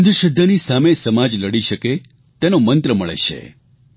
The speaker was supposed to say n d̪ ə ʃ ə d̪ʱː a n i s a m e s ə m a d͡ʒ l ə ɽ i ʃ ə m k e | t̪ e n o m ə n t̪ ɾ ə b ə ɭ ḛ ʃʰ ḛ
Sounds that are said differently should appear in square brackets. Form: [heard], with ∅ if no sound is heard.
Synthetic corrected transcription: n d̪ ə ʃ ə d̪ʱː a n i s a m e s ə m a d͡ʒ l ə ɽ i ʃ ə [∅] k e | t̪ e n o m ə n t̪ ɾ ə [m] ə ɭ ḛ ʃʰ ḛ

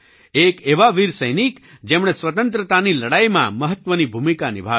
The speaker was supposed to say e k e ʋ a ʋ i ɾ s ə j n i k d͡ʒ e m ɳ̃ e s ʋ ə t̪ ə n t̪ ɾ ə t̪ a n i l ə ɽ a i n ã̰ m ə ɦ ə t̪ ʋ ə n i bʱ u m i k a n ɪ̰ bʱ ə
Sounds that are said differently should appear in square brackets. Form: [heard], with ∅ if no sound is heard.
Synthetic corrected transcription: e k e ʋ a ʋ i ɾ s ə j n i k d͡ʒ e m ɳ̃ e s ʋ ə t̪ ə n t̪ ɾ ə t̪ a n i l ə ɽ a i [m] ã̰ m ə ɦ ə t̪ ʋ ə n i bʱ u m i k a n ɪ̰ bʱ [a]

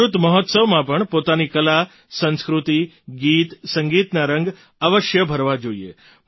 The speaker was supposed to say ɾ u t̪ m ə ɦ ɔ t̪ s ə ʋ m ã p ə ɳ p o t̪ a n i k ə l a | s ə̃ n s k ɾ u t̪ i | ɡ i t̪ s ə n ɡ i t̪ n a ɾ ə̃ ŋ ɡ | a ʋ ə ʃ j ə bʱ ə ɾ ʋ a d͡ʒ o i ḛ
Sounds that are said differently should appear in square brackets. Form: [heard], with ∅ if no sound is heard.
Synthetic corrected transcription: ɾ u t̪ m ə ɦ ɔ t̪ s ə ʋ m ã p ə ɳ p o t̪ a n i k ə l a | s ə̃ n s k ɾ u t̪ i | ɡ i t̪ s ə [ŋ] ɡ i t̪ n a ɾ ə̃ ŋ ɡ | a ʋ ə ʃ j ə bʱ ə ɾ ʋ a d͡ʒ o i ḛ

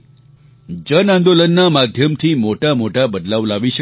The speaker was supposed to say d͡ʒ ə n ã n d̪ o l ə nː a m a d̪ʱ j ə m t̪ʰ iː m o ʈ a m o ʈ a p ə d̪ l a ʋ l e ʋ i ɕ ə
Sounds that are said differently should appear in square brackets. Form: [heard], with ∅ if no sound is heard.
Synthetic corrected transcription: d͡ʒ ə n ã n d̪ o l ə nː a m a d̪ʱ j ə m t̪ʰ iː m o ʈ a m o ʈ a [b] ə d̪ l a ʋ l [a] ʋ i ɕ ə

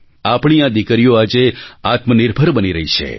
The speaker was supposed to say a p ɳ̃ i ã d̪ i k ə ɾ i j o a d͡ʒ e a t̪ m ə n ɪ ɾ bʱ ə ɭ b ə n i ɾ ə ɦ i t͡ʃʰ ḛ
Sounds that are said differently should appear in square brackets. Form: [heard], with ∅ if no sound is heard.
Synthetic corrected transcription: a p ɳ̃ i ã d̪ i k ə ɾ i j o a d͡ʒ e a t̪ m ə n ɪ ɾ bʱ ə [ɾ] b ə n i ɾ ə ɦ i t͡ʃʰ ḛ

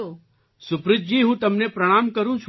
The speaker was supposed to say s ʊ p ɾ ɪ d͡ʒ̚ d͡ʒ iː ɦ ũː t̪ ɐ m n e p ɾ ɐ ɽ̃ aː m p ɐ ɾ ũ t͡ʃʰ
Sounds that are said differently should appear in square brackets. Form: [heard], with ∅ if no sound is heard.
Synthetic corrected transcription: s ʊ p ɾ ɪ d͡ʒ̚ d͡ʒ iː ɦ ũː t̪ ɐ m n e p ɾ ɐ ɽ̃ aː m [k] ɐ ɾ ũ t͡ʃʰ

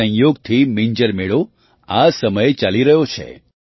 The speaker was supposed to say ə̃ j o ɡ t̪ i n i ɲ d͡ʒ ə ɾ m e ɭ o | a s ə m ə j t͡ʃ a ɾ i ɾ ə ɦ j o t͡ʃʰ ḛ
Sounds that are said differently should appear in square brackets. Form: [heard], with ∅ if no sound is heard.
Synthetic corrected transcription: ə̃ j o ɡ [t̪ʰ] i [m] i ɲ d͡ʒ ə ɾ m e ɭ o | a s ə m ə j t͡ʃ a [l] i ɾ ə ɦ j o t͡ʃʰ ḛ

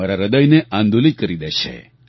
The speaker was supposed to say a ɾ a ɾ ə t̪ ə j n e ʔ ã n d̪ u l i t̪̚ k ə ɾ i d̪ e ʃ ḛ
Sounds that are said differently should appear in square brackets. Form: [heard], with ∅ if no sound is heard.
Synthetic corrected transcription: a ɾ a ɾ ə [d̪] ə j n e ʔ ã n d̪ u l i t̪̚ k ə ɾ i d̪ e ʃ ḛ

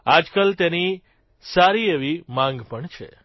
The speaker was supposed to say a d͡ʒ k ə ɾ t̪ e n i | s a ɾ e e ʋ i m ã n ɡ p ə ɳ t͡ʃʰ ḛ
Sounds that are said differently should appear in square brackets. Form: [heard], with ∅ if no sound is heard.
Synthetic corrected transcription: a d͡ʒ k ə [l] t̪ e n i | s a ɾ [i] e ʋ i m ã [ŋ] ɡ p ə ɳ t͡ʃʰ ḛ

